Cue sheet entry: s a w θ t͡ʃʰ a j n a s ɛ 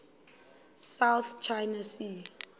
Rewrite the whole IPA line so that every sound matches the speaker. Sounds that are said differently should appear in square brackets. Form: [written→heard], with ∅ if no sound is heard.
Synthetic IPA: s a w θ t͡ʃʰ a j n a s [ɛ→i]

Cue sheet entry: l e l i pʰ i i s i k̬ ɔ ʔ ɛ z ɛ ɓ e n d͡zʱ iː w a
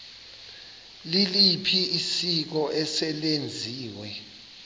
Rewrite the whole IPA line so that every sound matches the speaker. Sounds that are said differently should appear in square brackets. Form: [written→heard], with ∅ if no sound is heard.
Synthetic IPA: l [e→i] l i pʰ i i s i k̬ ɔ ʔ ɛ [z→s] ɛ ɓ e n d͡zʱ iː w [a→ɛ]

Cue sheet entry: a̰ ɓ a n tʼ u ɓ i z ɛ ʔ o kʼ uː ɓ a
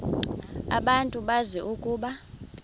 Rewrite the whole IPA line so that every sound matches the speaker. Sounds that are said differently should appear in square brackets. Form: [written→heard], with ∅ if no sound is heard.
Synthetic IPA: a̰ ɓ a n tʼ u ɓ [i→a] z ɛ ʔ [o→u] kʼ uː ɓ a

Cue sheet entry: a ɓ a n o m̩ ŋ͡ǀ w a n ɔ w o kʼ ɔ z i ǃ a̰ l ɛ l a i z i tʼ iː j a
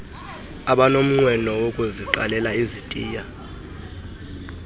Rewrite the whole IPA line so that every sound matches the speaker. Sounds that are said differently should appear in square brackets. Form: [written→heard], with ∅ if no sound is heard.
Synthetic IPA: a ɓ a n o m̩ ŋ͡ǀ w [a→ɛ] n ɔ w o kʼ [ɔ→u] z i ǃ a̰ l ɛ l a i z i tʼ iː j a

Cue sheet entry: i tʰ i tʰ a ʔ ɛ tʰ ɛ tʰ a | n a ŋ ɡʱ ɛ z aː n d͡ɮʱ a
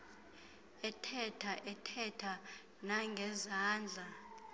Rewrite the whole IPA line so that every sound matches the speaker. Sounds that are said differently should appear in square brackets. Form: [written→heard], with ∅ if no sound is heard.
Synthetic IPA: [i→ɛ] tʰ [i→ɛ] tʰ a ʔ ɛ tʰ ɛ tʰ a | n a ŋ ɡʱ ɛ z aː n d͡ɮʱ a

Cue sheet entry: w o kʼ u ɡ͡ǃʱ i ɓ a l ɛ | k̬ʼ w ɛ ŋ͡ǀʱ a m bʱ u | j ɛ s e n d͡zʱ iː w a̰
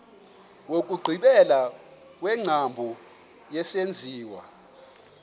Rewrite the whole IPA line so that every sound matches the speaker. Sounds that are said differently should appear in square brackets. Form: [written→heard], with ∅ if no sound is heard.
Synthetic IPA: w o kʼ u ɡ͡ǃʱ i ɓ [a→ɛ] l [ɛ→a] | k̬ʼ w ɛ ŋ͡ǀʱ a m bʱ u | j ɛ s e n d͡zʱ iː w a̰

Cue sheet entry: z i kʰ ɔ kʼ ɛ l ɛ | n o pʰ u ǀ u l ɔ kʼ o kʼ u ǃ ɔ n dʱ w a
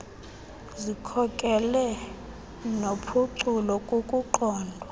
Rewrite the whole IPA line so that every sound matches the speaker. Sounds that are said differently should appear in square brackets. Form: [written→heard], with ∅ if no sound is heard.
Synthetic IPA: z i kʰ ɔ kʼ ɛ l ɛ | n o pʰ u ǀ u l ɔ kʼ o kʼ u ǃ [ɔ→ɔː] n dʱ w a

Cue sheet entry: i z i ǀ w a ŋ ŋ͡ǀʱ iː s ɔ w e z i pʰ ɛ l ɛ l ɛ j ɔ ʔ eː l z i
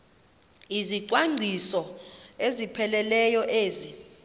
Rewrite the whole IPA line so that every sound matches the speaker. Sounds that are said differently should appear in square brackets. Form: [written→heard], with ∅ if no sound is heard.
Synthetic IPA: i z i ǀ w a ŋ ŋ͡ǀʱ [iː→i] s ɔ [w→∅] e z i pʰ ɛ l ɛ l ɛ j ɔ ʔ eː [l→∅] z i

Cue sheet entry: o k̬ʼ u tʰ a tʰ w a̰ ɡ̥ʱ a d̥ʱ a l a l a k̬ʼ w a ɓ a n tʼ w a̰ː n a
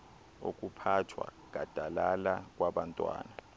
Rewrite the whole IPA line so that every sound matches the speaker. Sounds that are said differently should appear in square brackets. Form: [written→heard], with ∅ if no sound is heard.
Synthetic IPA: o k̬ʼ u [tʰ→pʰ] a tʰ w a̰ ɡ̥ʱ a d̥ʱ a l a l a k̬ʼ w a ɓ a n tʼ w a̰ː n a

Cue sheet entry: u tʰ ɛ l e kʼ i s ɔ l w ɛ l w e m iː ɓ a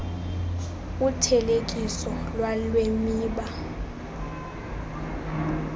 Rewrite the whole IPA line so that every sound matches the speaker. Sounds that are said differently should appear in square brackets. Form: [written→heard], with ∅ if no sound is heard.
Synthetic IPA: u tʰ ɛ l e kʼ i s ɔ l w [ɛ→a] l w e m iː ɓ a

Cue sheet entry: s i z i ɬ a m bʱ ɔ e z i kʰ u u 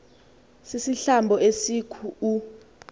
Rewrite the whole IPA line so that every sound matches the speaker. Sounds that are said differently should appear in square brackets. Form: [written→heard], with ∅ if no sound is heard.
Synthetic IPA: s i [z→s] i ɬ a m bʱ ɔ e [z→s] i kʰ u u

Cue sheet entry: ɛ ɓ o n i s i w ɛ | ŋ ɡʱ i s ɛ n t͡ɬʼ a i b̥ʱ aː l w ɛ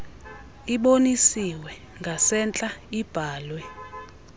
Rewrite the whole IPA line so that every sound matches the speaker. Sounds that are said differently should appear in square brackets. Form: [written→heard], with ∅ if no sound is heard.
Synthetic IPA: [ɛ→i] ɓ o n i s i w ɛ | ŋ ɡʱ [i→a] s ɛ n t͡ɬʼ a i b̥ʱ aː l w ɛ

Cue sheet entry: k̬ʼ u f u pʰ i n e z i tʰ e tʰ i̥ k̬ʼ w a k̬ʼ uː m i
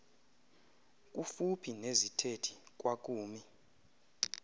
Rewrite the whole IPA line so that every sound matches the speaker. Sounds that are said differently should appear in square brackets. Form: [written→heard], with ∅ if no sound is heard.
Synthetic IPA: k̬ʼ u f u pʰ i n e z i tʰ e tʰ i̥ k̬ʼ w a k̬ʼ uː m i

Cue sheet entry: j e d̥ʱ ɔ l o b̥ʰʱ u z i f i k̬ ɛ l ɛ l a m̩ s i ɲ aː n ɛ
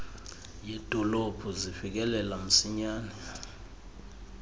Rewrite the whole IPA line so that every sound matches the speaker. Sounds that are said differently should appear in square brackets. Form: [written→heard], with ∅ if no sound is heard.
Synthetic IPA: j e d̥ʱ ɔ l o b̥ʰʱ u z i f i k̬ ɛ l ɛ l a m̩ s i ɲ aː n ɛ

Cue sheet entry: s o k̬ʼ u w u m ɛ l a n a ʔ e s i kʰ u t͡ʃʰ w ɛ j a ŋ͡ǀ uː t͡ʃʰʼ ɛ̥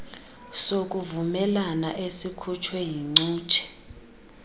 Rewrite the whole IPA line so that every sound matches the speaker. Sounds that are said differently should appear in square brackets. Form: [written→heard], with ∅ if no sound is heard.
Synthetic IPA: s o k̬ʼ u [w→v] u m ɛ l a n a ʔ e s i kʰ u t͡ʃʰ w ɛ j [a→i] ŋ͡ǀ uː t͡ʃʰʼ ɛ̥

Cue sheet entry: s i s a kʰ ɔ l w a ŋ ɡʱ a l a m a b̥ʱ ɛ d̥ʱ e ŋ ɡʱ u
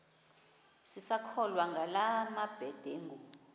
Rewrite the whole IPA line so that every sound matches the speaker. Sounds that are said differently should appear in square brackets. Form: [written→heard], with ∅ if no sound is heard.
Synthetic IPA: s i s a kʰ ɔ l w a ŋ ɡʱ a l a m a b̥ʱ ɛ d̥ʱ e ŋ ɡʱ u

